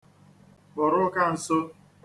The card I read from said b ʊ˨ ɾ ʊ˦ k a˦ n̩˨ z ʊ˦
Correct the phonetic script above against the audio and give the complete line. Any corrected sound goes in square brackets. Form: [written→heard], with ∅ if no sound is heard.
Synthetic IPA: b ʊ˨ ɾ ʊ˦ k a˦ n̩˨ [z→s] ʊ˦